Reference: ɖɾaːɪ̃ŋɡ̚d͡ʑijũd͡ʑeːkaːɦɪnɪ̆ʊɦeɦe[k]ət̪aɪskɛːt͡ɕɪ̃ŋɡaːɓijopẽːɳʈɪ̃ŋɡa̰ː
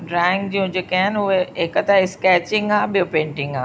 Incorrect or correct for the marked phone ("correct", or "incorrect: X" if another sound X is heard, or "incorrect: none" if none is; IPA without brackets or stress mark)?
correct